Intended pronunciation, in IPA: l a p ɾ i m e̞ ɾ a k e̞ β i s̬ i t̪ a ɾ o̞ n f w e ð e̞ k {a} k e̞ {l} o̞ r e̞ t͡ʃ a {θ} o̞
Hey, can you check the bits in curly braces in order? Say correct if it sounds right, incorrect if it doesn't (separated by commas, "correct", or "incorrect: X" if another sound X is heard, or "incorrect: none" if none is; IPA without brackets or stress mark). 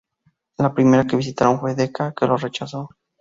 correct, correct, incorrect: s